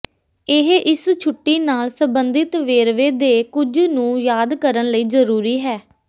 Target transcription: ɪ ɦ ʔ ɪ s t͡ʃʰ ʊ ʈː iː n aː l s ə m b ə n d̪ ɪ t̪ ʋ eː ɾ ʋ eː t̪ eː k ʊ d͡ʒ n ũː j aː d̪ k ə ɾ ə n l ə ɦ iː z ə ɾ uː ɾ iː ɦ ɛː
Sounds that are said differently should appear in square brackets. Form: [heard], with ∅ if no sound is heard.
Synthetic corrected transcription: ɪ ɦ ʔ ɪ s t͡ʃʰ ʊ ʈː iː n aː l s ə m b ə n d̪ ɪ t̪ ʋ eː ɾ ʋ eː [d̪] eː k ʊ d͡ʒ n ũː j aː d̪ k ə ɾ ə n l ə [∅] iː z ə ɾ uː ɾ iː ɦ ɛː